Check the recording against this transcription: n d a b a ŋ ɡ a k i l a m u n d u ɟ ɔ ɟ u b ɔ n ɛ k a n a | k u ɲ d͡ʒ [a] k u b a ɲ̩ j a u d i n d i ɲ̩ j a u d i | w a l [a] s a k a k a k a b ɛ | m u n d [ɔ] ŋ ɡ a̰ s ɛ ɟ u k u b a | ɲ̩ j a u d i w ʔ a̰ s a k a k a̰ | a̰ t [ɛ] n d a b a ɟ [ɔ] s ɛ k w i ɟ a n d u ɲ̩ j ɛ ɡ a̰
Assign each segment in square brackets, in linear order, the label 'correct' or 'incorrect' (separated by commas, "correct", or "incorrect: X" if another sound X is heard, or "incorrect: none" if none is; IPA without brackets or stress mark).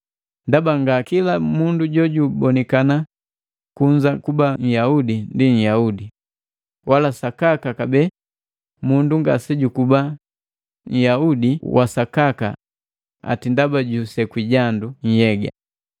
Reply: correct, correct, incorrect: u, incorrect: i, incorrect: u